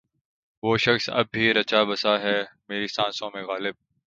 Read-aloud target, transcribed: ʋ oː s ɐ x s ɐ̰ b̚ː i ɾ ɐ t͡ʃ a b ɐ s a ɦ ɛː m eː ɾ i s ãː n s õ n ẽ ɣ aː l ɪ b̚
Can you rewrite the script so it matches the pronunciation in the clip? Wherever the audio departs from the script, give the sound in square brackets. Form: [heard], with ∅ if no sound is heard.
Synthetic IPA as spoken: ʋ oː [ʃ] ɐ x s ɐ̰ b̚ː i ɾ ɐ t͡ʃ a b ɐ s a ɦ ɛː m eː ɾ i s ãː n s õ [m] ẽ ɣ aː l ɪ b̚